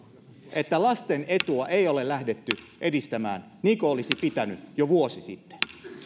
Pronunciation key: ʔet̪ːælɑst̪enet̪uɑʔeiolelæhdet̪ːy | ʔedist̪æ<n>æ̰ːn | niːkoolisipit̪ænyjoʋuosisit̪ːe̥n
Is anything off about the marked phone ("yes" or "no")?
yes